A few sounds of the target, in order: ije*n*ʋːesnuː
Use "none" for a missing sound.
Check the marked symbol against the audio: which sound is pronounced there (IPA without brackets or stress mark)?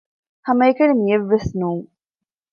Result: none